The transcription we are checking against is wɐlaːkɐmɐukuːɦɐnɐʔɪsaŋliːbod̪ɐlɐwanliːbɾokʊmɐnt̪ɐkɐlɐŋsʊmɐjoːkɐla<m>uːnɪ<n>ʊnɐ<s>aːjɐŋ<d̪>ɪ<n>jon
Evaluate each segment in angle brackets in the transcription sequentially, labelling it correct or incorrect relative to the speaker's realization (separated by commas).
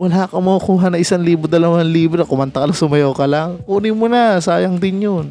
incorrect, incorrect, correct, correct, correct